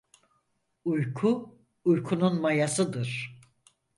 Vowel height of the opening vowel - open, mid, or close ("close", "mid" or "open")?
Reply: close